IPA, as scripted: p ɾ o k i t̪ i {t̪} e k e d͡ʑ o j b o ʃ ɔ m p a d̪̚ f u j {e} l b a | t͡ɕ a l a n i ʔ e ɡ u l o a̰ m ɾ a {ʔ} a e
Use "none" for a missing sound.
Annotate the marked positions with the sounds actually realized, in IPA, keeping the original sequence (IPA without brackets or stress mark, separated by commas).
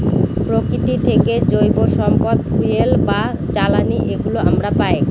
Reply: t̪ʰ, e, p